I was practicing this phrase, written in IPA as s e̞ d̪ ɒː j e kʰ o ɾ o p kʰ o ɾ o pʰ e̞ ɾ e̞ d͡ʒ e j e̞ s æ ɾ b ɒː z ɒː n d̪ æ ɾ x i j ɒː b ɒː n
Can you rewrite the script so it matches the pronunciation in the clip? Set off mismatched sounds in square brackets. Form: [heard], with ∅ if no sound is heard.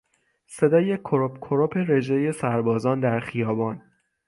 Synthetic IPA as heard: s e̞ d̪ ɒː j e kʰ o ɾ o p kʰ o ɾ o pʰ e̞ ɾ e̞ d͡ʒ e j e̞ s æ ɾ b ɒː z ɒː n d̪ æ ɾ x i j ɒː b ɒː n